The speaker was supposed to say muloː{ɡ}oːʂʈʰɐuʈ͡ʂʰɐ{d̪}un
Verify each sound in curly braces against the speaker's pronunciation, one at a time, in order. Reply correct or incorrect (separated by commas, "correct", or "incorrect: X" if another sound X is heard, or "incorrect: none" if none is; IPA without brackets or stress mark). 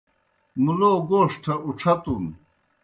correct, incorrect: t̪